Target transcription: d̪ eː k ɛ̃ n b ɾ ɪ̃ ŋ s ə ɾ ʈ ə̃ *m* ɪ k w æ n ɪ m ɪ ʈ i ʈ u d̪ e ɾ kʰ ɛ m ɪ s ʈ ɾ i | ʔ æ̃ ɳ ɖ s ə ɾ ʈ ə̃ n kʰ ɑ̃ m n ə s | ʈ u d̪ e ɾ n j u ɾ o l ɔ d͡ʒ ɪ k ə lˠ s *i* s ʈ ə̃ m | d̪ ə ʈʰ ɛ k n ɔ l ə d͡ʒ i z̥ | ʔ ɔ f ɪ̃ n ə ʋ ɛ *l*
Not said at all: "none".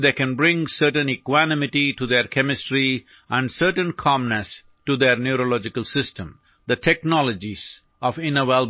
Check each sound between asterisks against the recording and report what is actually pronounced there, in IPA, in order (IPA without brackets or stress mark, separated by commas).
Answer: n, ɪ, l